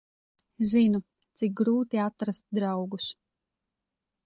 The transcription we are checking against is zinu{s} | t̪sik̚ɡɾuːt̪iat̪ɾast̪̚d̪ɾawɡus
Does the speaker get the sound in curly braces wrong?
yes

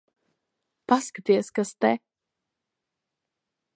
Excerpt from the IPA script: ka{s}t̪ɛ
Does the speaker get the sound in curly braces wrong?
no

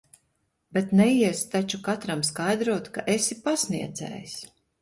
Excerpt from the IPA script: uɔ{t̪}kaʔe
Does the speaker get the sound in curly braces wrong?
no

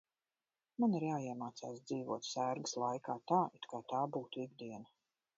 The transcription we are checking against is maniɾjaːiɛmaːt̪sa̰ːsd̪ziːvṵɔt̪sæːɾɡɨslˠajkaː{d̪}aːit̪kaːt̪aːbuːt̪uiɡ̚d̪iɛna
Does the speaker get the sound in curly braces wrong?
yes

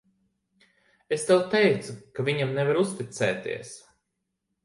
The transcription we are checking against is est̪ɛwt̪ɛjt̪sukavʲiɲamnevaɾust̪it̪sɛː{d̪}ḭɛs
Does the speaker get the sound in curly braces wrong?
yes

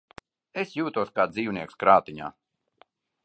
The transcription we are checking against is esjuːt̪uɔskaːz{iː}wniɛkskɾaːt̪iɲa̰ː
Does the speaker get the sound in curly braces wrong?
no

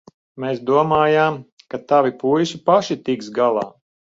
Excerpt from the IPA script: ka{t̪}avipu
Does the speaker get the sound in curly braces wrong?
no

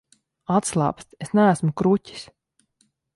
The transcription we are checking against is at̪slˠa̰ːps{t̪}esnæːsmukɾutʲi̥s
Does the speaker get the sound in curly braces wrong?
no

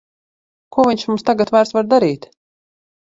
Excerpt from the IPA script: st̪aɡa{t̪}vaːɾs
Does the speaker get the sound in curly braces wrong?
no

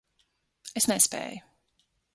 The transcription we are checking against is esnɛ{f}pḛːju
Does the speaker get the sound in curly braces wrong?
yes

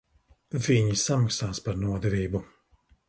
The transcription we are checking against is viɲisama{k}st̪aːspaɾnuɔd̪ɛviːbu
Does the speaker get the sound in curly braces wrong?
no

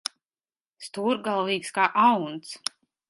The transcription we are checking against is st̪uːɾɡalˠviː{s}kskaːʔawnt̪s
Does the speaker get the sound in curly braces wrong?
yes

